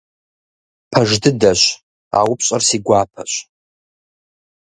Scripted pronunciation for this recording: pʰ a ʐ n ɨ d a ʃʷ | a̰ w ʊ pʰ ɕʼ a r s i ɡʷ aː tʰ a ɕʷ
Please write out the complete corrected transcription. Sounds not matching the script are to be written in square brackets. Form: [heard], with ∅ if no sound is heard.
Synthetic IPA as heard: pʰ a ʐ [d] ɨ d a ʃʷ | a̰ w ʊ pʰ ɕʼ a r s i ɡʷ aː [pʰ] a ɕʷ